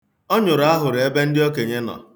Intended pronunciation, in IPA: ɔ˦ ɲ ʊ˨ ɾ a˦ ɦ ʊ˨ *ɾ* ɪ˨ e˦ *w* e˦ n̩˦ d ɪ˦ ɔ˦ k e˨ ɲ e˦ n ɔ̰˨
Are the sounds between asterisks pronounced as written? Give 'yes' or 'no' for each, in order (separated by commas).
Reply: yes, no